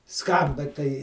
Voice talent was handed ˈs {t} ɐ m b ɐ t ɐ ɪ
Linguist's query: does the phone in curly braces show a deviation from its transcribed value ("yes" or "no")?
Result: yes